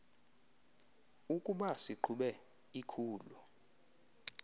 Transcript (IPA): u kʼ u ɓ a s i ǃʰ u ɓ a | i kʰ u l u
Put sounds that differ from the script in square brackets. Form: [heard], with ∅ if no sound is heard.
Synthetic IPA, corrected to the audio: u kʼ u ɓ a s i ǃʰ u ɓ [ɛ] | i kʰ [uː] l u